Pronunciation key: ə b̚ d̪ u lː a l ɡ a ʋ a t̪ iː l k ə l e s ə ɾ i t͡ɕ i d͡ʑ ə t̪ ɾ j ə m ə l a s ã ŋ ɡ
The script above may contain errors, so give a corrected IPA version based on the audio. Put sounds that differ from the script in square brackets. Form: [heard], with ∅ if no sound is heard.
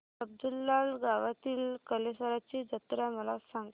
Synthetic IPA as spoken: ə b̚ d̪ u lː a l ɡ a ʋ a t̪ iː l k ə l e s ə ɾ [a] t͡ɕ i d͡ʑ ə t̪ ɾ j [a] m ə l a s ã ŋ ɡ